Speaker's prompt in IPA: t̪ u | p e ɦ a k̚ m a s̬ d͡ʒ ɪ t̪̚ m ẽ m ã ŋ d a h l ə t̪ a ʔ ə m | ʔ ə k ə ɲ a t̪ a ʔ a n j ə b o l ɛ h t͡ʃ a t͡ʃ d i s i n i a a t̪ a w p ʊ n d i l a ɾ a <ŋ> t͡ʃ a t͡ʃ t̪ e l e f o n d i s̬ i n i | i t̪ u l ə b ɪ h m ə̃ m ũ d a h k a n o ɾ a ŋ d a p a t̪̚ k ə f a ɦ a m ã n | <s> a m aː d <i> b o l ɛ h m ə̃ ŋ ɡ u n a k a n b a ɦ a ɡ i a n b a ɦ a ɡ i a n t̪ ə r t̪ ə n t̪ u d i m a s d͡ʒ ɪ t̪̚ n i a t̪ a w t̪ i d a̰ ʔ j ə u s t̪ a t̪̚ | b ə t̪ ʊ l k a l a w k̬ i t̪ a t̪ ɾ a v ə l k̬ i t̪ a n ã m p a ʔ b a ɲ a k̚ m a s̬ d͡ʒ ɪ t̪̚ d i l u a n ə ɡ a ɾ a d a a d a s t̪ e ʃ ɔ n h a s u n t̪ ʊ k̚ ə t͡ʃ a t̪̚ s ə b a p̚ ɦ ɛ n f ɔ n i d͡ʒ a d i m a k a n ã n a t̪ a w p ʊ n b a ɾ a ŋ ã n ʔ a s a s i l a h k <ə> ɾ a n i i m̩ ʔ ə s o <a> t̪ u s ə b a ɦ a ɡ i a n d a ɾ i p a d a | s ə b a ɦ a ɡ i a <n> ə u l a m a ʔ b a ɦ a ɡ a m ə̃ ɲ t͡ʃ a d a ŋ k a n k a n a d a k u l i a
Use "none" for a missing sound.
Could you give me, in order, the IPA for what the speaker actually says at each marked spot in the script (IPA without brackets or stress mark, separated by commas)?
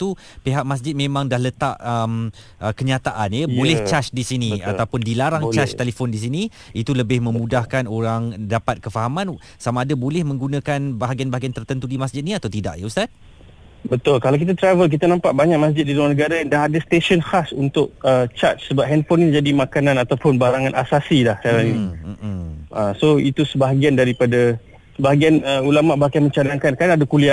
ŋ, s, a, a, i, n